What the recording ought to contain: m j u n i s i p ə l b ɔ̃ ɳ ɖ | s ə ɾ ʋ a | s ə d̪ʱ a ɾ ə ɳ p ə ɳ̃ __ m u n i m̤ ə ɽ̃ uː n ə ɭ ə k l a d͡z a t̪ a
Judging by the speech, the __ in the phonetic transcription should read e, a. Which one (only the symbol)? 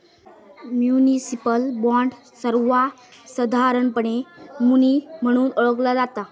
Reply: e